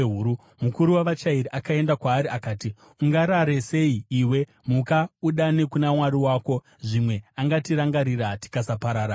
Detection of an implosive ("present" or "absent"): present